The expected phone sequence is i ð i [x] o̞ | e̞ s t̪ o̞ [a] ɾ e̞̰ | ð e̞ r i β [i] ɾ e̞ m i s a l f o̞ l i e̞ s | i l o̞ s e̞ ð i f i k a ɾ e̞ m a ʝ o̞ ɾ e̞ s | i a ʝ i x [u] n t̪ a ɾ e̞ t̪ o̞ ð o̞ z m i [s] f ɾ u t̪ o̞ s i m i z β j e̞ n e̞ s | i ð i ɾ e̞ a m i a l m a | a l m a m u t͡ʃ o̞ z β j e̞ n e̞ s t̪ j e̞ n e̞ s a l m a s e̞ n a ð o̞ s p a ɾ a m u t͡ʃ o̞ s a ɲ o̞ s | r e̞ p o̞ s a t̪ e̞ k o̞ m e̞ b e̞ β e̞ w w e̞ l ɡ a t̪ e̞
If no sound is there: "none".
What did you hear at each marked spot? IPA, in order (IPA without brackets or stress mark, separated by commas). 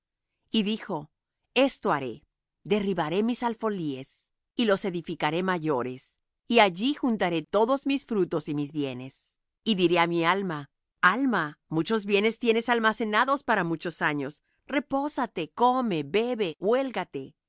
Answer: x, a, a, u, s